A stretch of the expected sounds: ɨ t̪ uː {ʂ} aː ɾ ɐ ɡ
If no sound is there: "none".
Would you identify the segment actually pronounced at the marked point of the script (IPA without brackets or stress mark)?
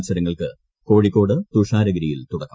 ʂ